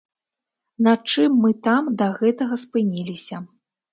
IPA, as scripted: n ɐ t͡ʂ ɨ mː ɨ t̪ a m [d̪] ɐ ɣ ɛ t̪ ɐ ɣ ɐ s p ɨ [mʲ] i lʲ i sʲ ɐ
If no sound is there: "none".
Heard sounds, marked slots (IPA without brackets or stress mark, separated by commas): d̪, nʲ